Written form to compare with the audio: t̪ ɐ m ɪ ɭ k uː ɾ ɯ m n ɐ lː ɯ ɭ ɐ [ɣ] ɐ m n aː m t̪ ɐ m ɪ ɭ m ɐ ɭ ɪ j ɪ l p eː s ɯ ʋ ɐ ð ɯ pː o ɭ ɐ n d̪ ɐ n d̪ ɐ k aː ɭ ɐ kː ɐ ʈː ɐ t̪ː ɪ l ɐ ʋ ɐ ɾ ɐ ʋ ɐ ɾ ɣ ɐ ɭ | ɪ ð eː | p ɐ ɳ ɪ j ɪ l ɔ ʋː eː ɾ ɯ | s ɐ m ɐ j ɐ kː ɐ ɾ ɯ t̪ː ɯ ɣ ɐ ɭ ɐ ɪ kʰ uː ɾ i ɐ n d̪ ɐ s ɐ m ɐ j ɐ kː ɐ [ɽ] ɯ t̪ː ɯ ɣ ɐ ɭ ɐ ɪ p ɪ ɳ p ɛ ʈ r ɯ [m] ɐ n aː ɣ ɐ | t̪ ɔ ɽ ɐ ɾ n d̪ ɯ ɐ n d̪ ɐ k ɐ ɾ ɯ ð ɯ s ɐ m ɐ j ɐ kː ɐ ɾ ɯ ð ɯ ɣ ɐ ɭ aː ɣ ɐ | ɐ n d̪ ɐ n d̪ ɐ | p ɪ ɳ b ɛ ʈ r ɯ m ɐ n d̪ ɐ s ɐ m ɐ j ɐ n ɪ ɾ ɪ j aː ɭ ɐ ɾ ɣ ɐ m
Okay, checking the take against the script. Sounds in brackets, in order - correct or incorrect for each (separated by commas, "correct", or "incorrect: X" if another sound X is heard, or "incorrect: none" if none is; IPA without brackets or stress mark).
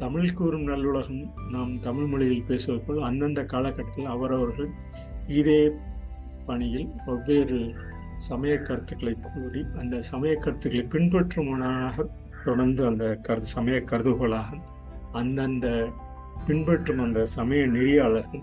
correct, incorrect: ɾ, correct